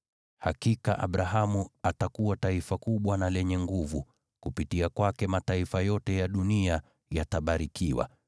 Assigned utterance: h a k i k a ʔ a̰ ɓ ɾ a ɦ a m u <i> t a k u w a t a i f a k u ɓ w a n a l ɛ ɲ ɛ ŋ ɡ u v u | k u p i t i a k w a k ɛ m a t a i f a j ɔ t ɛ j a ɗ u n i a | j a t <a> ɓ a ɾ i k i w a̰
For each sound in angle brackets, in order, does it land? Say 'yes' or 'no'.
no, yes

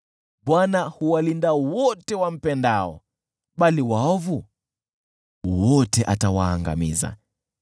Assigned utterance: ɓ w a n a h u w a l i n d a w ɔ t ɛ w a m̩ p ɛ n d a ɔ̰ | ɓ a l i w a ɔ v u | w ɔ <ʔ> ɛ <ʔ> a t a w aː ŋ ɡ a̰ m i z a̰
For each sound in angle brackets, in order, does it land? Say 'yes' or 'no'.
no, yes

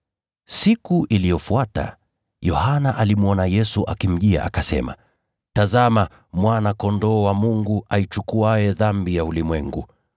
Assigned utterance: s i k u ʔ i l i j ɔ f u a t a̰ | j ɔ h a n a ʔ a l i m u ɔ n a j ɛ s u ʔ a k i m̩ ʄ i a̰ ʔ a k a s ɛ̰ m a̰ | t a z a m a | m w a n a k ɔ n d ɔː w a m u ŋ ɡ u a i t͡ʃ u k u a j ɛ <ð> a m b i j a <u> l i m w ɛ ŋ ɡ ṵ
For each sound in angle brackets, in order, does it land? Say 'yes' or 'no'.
yes, yes

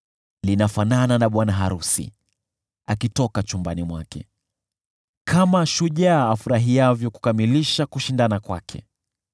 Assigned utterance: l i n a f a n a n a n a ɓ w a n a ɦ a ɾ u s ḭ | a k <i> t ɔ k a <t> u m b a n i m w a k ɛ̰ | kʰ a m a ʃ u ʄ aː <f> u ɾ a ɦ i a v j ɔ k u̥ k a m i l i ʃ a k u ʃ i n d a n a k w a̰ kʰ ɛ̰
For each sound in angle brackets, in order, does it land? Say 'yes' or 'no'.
yes, no, yes

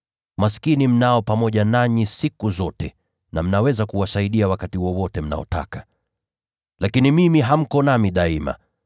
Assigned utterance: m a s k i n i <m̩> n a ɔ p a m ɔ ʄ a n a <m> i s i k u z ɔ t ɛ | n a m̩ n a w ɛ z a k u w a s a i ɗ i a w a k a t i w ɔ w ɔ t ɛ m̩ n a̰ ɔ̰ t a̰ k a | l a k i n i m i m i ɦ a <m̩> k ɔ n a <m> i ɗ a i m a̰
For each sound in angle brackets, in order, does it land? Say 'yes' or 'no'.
yes, no, yes, yes

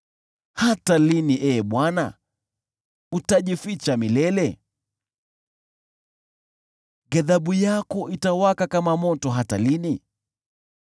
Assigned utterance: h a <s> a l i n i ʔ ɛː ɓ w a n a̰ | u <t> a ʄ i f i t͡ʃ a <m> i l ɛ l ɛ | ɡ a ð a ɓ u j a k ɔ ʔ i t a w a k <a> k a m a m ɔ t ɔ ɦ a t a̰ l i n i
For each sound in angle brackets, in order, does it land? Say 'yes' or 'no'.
no, yes, yes, yes

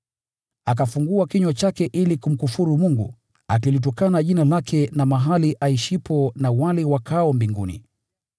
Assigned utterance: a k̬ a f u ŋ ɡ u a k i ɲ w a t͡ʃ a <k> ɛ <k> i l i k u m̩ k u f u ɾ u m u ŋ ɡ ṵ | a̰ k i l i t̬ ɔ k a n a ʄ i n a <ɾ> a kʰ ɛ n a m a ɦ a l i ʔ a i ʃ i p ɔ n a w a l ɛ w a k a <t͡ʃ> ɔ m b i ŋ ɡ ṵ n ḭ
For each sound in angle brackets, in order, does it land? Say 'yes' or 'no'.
yes, no, no, no

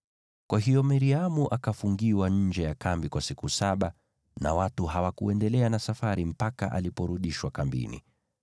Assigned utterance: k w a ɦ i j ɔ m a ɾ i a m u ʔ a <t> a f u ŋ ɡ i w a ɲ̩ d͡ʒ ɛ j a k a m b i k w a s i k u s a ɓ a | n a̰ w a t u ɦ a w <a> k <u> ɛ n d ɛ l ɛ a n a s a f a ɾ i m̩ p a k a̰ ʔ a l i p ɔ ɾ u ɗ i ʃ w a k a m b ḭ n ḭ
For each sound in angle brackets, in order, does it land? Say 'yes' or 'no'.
no, yes, yes

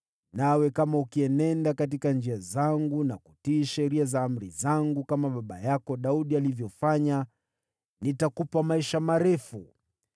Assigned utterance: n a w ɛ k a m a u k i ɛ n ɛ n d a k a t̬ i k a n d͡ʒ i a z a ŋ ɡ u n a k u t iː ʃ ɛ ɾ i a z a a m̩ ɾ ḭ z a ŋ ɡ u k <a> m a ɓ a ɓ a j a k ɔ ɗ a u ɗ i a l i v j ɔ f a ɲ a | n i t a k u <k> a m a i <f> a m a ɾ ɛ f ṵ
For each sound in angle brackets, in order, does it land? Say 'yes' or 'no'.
yes, no, no

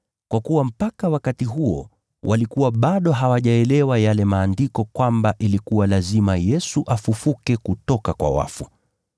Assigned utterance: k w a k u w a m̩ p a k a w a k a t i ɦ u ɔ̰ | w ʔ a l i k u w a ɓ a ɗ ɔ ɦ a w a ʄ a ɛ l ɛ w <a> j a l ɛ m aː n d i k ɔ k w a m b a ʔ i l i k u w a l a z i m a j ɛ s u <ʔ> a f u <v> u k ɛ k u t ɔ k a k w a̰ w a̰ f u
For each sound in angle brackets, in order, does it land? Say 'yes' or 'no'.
yes, yes, no

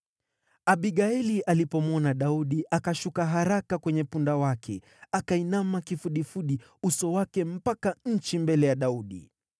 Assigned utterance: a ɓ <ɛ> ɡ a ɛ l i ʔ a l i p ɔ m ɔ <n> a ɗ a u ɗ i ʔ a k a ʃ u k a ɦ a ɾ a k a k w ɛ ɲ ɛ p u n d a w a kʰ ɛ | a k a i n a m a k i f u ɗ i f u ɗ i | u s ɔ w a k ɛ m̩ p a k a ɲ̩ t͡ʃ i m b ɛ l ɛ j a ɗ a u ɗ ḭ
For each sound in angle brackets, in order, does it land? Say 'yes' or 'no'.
no, yes

